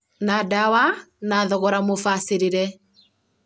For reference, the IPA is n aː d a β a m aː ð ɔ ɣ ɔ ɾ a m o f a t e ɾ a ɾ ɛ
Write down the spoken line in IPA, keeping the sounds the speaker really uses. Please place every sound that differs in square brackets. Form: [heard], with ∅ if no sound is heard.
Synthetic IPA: n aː d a [w] a [n] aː ð ɔ ɣ ɔ ɾ a m o f a [s] e ɾ [e] ɾ ɛ